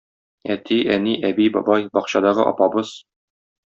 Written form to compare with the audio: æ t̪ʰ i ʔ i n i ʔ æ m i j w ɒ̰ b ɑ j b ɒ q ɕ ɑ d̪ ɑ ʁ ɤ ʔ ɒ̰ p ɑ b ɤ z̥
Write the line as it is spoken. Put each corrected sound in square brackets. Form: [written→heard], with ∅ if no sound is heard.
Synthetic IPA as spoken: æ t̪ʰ i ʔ [i→æ] n i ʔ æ [m→b] i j [w→b] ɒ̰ b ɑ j b ɒ q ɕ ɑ d̪ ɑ ʁ ɤ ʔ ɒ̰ p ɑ b ɤ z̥